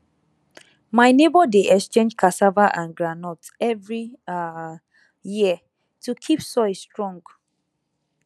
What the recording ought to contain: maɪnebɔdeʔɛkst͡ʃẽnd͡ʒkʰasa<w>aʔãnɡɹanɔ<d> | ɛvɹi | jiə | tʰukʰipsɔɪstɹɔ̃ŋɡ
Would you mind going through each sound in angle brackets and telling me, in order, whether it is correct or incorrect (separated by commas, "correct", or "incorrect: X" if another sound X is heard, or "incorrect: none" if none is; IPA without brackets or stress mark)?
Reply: incorrect: v, incorrect: t